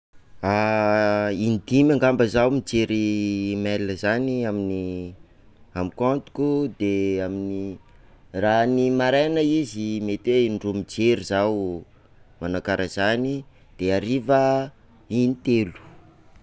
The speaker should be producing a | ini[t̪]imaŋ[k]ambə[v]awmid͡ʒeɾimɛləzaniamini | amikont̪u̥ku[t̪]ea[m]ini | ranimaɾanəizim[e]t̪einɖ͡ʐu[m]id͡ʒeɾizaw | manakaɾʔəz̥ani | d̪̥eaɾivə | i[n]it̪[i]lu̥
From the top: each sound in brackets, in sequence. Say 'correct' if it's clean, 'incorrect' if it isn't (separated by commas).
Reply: incorrect, incorrect, incorrect, incorrect, correct, correct, correct, correct, incorrect